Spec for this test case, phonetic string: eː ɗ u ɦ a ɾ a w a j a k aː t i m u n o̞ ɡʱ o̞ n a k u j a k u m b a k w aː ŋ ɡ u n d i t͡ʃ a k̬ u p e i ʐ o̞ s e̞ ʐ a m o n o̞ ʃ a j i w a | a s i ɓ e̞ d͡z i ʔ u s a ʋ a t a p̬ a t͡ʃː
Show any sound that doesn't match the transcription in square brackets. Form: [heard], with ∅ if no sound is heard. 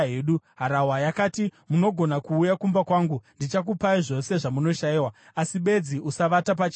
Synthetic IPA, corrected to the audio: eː ɗ u ɦ a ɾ a w a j a k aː t i m u n o̞ ɡʱ o̞ n a k [uː] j a k u m b a k w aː ŋ ɡ u n d i t͡ʃ a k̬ u p [a] i ʐ o̞ s e̞ ʐ a m [u] n o̞ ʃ a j i w a | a s i ɓ e̞ d͡z i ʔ u s a ʋ a t a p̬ a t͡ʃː